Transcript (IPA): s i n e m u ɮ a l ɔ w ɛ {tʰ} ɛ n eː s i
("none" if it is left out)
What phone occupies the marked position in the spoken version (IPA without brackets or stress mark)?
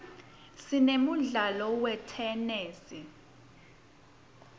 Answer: tʰ